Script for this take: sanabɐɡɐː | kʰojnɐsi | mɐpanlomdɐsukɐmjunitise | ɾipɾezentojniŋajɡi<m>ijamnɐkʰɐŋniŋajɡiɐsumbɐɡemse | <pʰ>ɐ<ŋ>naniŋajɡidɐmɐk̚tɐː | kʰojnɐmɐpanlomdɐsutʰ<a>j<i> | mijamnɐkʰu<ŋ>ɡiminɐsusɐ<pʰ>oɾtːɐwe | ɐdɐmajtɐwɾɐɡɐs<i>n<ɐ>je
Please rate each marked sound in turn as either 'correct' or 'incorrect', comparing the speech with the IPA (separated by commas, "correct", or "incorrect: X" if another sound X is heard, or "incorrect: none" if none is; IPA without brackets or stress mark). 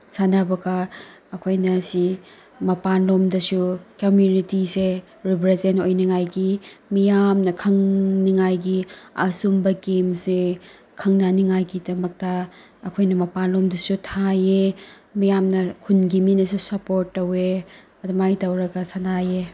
correct, incorrect: kʰ, correct, correct, incorrect: e, incorrect: n, incorrect: p, incorrect: a, incorrect: a